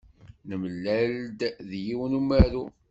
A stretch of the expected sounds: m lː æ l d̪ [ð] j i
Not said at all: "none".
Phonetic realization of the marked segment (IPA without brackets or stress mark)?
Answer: ð